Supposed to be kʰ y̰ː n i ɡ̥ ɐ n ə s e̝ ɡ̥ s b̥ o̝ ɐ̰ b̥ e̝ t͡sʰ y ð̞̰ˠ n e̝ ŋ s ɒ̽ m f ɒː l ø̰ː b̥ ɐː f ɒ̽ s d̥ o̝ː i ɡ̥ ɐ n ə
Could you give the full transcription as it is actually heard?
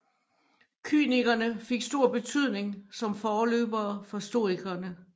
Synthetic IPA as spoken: kʰ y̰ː n i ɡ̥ ɐ n ə f e̝ ɡ̥ s d̥ o̝ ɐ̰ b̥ e̝ t͡sʰ y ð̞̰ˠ n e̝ ŋ s ɒ̽ m f ɒː l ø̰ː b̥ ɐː f ɒ̽ s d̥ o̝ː i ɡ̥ ɐ n ə

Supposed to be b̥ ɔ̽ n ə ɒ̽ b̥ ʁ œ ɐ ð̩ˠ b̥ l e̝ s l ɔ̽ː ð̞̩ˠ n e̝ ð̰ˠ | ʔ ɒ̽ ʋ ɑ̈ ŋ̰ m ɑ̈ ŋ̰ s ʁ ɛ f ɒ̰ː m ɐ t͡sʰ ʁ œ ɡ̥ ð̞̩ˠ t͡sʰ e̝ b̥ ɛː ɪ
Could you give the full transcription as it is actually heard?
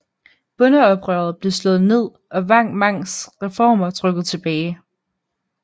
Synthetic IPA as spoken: b̥ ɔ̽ n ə ɒ̽ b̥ ʁ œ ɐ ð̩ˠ b̥ l e̝ s l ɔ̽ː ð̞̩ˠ n e̝ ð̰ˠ | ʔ ɒ̽ ʋ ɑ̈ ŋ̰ m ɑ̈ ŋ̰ s ʁ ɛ f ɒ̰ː m ɐ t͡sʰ ʁ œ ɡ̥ ð̞̩ˠ t͡sʰ e̝ b̥ ɛː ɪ

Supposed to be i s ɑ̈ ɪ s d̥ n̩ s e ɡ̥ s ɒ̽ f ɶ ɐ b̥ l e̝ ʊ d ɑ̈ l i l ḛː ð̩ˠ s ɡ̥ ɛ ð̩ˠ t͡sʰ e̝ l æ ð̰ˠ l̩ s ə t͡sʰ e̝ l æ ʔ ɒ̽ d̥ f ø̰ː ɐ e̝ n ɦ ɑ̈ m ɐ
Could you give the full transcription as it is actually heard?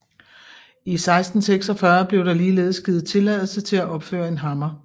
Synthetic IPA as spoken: i s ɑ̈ ɪ s d̥ n̩ s e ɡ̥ s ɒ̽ f ɶ ɐ b̥ l e̝ ʊ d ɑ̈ l iː l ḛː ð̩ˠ s ɡ̥ i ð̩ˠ t͡sʰ e̝ l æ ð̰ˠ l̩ s ə t͡sʰ e̝ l æ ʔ ɒ̽ b̥ f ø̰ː ɐ e̝ n ɦ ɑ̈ m ɐ

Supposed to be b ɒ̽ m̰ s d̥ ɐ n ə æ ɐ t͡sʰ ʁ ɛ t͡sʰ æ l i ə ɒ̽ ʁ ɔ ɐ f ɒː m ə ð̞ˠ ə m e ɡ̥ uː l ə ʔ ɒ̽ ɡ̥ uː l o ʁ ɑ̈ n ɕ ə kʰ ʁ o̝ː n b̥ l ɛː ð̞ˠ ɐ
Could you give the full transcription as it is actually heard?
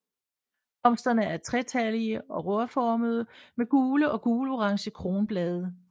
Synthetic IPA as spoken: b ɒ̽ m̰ s d̥ ɐ n ə æ ɐ t͡sʰ ʁ ɛ t͡sʰ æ l i ə ɒ̽ ʁ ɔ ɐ f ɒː m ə ð̞ˠ ə m e ɡ̥ uː l ə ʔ ɒ̽ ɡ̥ uː l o ʁ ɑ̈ ŋ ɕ ə kʰ ʁ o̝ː n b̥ l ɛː ð̞ˠ ə

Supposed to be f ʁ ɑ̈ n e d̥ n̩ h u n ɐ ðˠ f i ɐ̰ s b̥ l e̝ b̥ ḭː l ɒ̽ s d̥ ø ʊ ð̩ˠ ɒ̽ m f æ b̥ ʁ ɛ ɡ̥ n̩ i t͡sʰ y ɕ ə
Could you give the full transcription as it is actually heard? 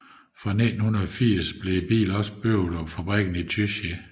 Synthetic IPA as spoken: f ʁ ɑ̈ n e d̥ n̩ h u n ɐ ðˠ f i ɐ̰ s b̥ l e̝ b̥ ḭː l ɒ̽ s b̥ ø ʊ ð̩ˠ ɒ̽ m f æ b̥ ʁ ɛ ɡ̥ n̩ i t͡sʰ y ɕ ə

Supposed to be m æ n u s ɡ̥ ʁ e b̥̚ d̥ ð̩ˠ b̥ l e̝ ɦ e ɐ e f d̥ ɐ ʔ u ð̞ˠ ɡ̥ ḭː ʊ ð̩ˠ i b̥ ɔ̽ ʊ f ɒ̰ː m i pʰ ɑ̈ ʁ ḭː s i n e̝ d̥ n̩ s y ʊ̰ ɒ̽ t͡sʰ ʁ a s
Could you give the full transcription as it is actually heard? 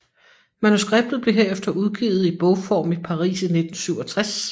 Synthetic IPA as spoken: m æ n u s ɡ̥ ʁ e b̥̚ d̥ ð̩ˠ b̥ l e̝ ɦ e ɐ e f d̥ ɐ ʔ u ð̞ˠ ɡ̥ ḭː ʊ ð̩ˠ i b̥ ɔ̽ ʊ f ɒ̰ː m i pʰ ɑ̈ ʁ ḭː s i n e̝ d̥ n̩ s y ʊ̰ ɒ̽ t͡sʰ ʁ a s

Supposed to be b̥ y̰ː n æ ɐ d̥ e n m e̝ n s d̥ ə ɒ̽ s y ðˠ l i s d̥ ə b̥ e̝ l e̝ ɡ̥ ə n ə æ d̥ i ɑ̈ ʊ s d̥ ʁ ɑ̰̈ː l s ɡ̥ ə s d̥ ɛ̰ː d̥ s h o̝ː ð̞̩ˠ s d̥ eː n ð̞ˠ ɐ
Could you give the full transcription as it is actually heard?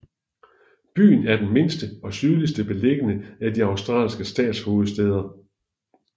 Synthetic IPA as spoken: b̥ y̰ː n æ ɐ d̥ e n m e̝ n s d̥ ə ɒ̽ s y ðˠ l i s d̥ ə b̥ e̝ l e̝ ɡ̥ ə n ə æ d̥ i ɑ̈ ʊ s d̥ ʁ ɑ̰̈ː l s ɡ̥ ə s d̥ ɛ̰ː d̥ s h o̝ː ð̞̩ˠ s d̥ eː ð̞ˠ ɐ

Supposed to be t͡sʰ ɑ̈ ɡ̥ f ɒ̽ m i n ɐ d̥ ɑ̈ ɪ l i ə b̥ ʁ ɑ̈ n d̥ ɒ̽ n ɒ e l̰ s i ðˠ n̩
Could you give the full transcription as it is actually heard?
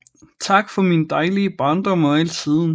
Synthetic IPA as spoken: t͡sʰ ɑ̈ ɡ̥ f ɒ̽ m i n ə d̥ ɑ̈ ɪ l i ə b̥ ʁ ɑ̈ n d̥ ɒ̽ m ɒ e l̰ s i ðˠ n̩

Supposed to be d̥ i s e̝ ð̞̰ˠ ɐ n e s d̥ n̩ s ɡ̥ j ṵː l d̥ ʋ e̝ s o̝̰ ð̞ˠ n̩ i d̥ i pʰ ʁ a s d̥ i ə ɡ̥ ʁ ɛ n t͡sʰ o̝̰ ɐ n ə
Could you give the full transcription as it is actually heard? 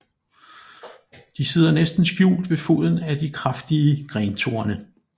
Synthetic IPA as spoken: d̥ i s e̝ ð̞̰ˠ ɐ n e s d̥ n̩ s ɡ̥ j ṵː l d̥ ʋ e̝ f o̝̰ ð̞ˠ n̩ æ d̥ i kʰ ʁ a f d̥ i ə ɡ̥ ʁ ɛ n t͡sʰ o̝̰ ɐ n ə

